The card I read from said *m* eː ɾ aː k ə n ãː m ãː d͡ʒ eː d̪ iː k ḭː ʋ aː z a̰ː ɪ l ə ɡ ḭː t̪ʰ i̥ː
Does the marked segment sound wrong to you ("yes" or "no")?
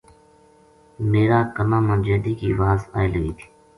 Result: no